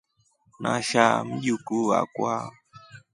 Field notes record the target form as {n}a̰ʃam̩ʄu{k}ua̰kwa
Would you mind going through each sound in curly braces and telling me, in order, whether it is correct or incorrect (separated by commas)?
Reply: correct, correct